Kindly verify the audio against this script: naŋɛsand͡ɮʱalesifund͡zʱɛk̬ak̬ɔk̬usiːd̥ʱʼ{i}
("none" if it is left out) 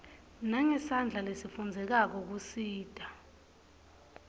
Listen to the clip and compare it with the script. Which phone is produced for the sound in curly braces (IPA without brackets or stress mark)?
a